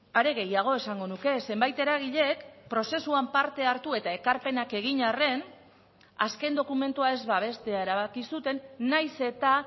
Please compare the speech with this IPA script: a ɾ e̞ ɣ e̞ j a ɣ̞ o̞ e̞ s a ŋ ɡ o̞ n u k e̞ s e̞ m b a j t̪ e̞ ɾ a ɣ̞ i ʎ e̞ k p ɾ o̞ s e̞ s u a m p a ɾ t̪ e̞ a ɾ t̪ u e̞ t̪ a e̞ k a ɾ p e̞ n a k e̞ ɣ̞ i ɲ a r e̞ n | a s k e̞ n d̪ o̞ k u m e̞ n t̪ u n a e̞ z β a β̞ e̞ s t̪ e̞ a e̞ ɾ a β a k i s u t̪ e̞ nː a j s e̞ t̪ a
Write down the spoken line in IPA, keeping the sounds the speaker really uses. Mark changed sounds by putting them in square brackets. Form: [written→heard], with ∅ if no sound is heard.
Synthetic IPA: a ɾ e̞ ɣ e̞ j a ɣ̞ o̞ e̞ s a ŋ ɡ o̞ n u k e̞ s e̞ m b a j t̪ e̞ ɾ a ɣ̞ i ʎ e̞ k p ɾ o̞ s e̞ s u a m p a ɾ t̪ e̞ a ɾ t̪ u e̞ t̪ a e̞ k a ɾ p e̞ n a k e̞ ɣ̞ i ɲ a r e̞ n | a s k e̞ n d̪ o̞ k u m e̞ n t̪ u [n→∅] a e̞ z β a β̞ e̞ s t̪ e̞ a e̞ ɾ a β a k i s u t̪ e̞ nː a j s e̞ t̪ a